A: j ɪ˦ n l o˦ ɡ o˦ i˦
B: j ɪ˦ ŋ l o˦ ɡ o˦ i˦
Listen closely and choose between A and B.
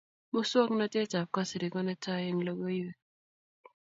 B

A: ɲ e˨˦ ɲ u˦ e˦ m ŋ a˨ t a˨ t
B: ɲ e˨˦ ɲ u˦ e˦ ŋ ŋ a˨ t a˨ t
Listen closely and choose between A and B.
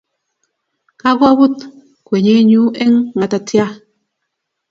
B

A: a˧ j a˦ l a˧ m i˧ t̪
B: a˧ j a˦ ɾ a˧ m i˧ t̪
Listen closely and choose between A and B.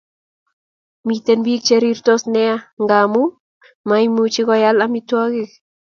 A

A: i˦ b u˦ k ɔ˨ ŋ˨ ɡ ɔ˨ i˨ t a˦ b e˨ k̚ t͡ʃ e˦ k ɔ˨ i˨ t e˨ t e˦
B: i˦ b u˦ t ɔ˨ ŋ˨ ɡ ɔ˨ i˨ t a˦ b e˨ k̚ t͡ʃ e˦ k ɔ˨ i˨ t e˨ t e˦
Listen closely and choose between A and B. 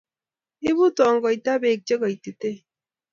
B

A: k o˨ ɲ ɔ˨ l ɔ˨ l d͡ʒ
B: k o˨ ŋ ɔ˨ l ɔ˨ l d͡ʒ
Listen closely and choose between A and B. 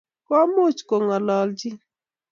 B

